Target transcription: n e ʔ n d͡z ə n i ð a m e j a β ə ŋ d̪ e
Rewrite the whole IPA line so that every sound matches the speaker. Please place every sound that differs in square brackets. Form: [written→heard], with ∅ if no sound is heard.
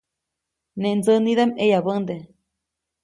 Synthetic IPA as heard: n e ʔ n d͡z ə n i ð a m e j a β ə [ŋ→n] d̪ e

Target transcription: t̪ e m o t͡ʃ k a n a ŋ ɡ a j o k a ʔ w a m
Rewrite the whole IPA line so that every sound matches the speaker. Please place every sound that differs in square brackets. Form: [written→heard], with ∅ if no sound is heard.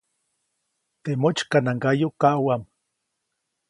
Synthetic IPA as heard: t̪ e m o t͡ʃ k a n a ŋ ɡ a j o k a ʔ w a m

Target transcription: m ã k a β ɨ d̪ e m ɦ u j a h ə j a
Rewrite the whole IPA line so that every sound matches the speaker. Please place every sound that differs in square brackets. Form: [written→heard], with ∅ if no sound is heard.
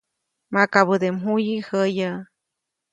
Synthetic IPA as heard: m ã k a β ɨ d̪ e m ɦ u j [a→i] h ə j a

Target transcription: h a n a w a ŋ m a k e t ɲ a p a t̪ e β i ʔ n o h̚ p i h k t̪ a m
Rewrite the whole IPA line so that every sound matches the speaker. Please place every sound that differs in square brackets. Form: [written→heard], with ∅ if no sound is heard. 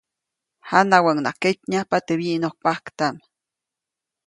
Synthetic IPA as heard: h a n a w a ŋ [m→n] a k e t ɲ a p a t̪ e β i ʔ n o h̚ p [i→a] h k t̪ a m

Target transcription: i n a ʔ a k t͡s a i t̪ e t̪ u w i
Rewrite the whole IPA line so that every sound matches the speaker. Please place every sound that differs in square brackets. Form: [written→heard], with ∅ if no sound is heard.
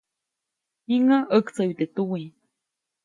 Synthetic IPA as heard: i [n→ŋ] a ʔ [a→ə] k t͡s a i t̪ e t̪ u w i

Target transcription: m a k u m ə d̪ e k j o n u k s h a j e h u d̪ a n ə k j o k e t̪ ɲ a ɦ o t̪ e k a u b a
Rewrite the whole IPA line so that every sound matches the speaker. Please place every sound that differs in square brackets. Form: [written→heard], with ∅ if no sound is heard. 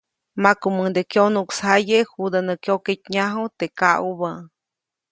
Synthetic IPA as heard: m a k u m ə d̪ e k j o n u k s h a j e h u d̪ a n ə k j o k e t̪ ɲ a ɦ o t̪ e k a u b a

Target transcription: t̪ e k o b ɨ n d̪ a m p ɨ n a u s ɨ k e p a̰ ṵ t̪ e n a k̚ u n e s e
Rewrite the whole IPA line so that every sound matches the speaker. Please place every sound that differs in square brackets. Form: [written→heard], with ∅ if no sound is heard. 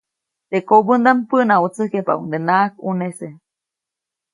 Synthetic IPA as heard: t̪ e k o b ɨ n d̪ a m p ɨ n a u [s→t͡s] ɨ k e p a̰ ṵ [t̪→d̪] e n a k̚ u n e s e

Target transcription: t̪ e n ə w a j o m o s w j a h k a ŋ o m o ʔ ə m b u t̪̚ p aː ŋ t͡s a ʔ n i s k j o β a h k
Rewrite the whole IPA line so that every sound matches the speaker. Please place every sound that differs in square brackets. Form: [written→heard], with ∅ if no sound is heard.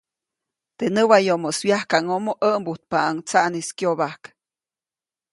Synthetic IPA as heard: t̪ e n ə w a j o m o s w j a h k a ŋ o m o ʔ ə m b u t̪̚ p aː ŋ t͡s a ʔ n i s k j o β a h k

